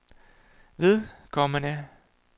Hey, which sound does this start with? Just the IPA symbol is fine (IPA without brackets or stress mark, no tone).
ʋ